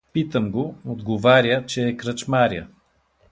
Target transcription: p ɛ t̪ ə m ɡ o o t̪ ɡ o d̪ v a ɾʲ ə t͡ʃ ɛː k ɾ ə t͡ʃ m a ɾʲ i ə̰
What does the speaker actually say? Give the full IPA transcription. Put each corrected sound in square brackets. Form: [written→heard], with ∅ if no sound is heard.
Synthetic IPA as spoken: p [ɛ→i] t̪ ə m ɡ o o [t̪→d̪] ɡ o [d̪→∅] v a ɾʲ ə t͡ʃ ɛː k ɾ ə t͡ʃ m a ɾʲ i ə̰